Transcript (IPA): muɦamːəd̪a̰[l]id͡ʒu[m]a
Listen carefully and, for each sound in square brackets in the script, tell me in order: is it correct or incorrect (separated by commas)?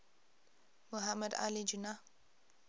correct, incorrect